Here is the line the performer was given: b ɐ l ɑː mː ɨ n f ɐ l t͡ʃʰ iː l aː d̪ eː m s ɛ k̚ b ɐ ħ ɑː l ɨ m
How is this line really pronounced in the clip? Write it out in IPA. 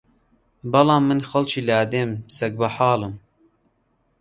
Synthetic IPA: b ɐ l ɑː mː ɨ n x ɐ l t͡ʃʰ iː l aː d̪ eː m s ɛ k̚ b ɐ ħ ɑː l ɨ m